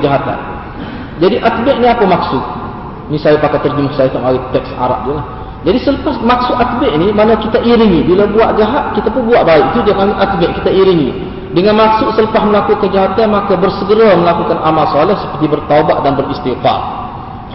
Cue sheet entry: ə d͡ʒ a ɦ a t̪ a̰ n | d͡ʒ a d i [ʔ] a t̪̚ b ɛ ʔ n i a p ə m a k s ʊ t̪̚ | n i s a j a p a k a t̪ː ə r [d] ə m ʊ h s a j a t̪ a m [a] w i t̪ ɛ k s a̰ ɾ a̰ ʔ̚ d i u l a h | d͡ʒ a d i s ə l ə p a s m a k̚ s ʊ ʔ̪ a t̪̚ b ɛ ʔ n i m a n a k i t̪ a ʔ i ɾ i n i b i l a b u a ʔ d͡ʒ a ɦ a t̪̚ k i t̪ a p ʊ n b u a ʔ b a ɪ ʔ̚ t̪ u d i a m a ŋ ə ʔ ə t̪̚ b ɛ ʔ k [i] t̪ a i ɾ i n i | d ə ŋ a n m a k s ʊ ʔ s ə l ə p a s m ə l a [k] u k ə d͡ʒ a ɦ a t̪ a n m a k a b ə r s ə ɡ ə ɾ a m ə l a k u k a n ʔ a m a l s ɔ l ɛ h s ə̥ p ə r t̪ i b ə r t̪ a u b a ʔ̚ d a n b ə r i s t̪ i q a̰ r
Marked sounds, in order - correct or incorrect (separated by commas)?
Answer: correct, incorrect, correct, correct, correct